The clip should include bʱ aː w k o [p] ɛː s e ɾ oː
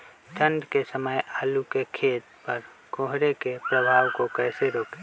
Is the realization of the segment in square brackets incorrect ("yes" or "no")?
yes